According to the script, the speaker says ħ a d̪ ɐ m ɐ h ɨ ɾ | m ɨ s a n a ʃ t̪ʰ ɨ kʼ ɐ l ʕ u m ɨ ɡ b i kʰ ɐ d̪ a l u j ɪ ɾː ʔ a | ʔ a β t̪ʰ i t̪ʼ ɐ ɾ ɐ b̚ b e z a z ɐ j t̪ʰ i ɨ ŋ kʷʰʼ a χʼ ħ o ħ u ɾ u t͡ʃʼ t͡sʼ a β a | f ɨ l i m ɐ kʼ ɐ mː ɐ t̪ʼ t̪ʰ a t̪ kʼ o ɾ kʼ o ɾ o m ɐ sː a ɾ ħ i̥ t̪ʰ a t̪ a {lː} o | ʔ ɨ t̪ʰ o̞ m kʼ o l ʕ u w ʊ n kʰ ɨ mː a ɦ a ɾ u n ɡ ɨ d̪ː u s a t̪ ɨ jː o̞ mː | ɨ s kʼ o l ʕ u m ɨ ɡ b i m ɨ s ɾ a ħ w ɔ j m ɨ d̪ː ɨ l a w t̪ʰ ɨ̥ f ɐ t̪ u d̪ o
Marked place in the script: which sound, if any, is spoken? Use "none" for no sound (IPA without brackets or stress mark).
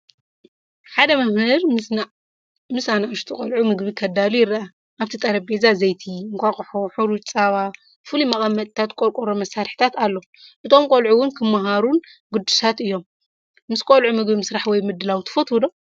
lː